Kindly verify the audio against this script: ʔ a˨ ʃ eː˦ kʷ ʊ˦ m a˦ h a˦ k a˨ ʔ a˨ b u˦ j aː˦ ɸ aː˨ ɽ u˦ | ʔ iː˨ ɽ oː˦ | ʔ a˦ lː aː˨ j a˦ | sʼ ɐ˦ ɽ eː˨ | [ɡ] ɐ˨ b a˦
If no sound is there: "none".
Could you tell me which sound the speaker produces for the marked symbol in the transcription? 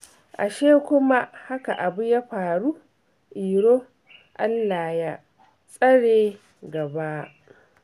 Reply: ɡ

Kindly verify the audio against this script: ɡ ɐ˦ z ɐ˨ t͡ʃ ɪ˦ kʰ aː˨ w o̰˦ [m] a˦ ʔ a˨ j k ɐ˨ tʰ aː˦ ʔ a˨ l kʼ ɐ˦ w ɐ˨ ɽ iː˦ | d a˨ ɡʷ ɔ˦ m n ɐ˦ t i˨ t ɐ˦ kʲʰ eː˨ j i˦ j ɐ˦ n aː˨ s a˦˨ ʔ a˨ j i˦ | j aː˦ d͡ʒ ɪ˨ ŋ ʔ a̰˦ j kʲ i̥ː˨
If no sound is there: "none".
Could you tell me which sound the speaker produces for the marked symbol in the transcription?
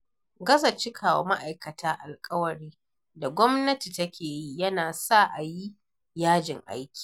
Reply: m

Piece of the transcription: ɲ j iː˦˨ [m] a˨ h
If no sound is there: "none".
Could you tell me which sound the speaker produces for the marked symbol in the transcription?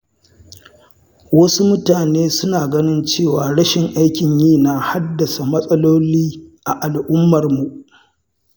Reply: n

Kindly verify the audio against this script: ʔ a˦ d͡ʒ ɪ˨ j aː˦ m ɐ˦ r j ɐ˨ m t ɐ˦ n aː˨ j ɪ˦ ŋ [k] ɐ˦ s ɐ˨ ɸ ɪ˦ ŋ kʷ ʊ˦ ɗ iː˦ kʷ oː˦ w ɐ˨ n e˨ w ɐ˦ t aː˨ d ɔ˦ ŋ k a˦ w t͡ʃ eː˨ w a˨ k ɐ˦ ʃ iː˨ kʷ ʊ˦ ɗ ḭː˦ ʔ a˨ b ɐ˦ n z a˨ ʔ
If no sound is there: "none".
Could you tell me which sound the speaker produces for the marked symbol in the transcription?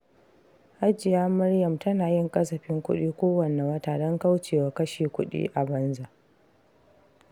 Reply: kʼ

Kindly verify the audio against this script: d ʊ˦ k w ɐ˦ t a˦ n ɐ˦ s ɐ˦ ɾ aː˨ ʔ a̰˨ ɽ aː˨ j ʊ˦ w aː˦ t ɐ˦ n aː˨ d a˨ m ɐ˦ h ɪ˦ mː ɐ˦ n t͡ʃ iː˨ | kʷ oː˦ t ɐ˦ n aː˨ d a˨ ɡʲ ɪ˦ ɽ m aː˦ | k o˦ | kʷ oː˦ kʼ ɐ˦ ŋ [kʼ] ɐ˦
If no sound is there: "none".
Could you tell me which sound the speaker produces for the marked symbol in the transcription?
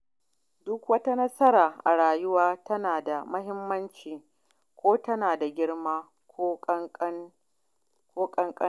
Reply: kʼ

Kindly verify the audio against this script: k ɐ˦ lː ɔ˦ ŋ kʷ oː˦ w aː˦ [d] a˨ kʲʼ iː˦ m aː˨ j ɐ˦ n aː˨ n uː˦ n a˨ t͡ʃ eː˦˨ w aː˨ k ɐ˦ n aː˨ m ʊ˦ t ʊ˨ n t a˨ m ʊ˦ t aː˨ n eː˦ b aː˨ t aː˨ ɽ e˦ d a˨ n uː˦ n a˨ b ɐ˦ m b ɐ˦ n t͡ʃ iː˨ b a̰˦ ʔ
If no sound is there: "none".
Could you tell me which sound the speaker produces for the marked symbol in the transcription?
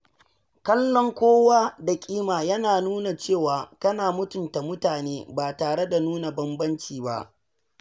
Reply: d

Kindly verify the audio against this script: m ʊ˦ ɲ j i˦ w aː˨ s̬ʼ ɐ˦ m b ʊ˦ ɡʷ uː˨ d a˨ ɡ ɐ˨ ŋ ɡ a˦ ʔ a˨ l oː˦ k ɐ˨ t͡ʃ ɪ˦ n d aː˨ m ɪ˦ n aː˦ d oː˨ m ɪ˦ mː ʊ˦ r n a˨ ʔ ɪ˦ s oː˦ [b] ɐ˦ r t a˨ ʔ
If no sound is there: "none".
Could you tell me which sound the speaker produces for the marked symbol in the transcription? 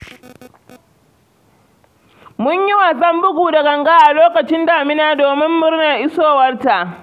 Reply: w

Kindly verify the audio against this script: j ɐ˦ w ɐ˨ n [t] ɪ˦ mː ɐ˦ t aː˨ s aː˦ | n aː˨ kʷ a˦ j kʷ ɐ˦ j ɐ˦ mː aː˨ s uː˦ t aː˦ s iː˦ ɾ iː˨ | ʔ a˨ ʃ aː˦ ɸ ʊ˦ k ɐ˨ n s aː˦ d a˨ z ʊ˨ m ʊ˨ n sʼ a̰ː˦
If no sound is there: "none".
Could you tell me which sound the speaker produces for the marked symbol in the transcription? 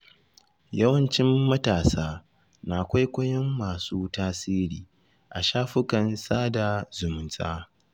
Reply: t͡ʃ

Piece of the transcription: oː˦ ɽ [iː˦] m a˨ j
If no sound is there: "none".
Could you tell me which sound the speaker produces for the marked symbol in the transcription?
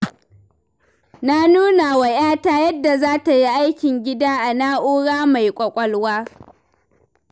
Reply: aː˦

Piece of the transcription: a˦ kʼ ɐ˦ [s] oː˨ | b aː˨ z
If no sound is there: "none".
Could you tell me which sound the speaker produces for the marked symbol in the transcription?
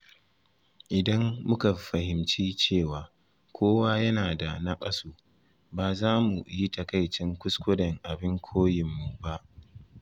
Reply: s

